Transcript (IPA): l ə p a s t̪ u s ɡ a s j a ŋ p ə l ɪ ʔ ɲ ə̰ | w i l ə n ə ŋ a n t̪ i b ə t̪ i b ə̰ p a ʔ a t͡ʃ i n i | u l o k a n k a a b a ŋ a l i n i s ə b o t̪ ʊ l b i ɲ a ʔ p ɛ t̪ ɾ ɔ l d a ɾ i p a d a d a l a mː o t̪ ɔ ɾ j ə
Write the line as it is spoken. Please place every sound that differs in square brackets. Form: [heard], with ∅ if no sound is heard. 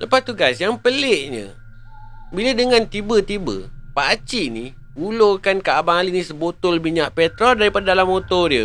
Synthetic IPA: l ə p a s t̪ u [∅] ɡ a s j a ŋ p ə l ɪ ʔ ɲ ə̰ | [b] i l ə [d] ə ŋ a n t̪ i b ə t̪ i b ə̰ p a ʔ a t͡ʃ i n i | u l o k a n k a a b a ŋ a l i n i s ə b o t̪ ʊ l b i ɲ a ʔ p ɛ t̪ ɾ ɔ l d a ɾ i p a d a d a l a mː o t̪ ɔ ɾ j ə